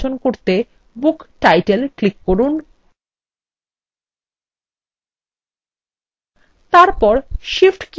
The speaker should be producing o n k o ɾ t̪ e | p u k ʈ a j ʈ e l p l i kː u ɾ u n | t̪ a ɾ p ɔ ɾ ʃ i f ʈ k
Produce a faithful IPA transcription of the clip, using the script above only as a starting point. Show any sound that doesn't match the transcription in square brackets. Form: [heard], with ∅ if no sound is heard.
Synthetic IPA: o n k o ɾ t̪ e | [b] u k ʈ a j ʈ e l [k] l i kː [o] ɾ u n | t̪ a ɾ p ɔ ɾ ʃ i f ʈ k